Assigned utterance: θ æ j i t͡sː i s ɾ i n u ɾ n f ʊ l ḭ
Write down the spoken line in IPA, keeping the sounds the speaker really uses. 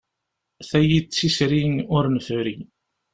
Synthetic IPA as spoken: θ æ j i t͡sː i s ɾ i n ʊ ɾ n f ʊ ɾ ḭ